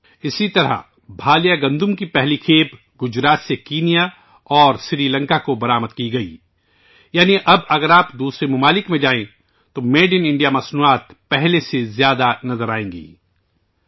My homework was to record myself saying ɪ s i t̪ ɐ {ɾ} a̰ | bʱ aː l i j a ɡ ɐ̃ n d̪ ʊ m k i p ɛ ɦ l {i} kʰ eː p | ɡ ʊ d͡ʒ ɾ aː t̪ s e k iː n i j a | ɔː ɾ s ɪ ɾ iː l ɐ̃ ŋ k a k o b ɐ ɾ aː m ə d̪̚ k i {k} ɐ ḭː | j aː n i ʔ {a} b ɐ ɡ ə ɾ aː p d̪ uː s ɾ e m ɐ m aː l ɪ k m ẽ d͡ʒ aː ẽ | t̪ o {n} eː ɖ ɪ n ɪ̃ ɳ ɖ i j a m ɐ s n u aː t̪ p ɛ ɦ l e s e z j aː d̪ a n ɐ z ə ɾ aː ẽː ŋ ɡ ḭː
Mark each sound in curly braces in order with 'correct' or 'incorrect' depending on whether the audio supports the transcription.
correct, correct, incorrect: ɡ, incorrect: ɐ, incorrect: m

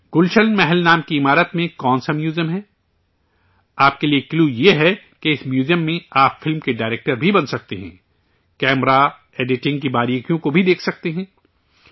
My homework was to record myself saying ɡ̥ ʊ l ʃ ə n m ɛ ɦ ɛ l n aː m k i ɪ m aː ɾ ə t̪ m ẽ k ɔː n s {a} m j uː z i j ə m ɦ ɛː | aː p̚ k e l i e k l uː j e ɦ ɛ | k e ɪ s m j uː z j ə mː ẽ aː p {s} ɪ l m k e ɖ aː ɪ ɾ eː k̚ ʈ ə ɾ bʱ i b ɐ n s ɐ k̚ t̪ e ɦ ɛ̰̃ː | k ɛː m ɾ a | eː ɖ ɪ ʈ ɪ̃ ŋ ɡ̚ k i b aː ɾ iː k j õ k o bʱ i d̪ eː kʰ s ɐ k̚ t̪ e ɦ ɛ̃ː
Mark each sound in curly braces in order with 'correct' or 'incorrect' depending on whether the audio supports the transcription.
correct, incorrect: f

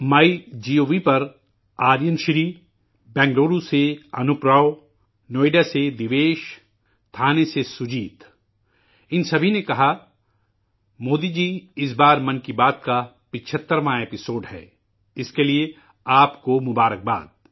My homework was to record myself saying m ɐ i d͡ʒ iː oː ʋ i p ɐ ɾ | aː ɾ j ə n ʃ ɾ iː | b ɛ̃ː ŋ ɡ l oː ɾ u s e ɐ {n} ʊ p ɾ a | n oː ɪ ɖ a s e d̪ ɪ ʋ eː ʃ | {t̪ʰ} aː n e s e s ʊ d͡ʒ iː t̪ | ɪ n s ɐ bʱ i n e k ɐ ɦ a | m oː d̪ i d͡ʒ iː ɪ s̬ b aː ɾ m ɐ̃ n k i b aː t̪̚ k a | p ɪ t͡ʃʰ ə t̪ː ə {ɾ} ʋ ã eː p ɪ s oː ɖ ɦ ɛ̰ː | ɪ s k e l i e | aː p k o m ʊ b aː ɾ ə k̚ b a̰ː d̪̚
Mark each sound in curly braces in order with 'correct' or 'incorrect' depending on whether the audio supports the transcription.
correct, correct, correct

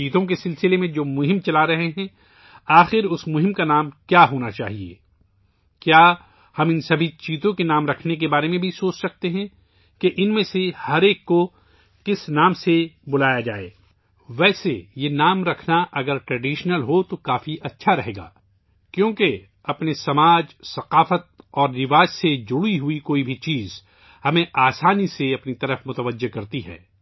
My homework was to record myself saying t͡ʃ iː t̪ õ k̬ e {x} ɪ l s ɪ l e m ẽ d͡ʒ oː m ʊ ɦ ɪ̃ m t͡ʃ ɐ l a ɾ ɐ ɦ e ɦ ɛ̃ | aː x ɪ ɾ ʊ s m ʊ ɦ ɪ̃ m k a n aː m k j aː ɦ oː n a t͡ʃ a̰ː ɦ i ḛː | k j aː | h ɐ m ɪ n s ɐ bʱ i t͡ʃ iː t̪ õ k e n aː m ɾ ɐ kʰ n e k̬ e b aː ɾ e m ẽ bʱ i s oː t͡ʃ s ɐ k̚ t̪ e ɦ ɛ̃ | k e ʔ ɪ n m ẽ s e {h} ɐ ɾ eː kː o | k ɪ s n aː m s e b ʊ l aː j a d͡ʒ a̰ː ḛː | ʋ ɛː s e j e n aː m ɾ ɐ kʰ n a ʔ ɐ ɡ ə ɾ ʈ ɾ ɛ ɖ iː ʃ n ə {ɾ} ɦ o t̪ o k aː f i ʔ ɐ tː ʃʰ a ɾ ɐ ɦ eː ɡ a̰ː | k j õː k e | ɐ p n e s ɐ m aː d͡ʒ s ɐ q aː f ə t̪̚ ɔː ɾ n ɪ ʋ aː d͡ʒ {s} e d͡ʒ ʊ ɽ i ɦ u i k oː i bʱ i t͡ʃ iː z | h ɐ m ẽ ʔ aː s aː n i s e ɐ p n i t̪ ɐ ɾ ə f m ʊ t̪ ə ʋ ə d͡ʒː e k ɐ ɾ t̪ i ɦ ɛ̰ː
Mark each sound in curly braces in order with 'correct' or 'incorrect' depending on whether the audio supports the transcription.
incorrect: s, correct, incorrect: l, correct

